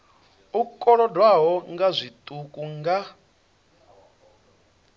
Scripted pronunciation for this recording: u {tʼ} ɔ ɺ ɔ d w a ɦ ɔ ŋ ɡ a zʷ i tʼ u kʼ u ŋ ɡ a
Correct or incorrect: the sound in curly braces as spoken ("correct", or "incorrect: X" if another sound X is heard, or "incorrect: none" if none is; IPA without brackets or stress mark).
incorrect: kʼ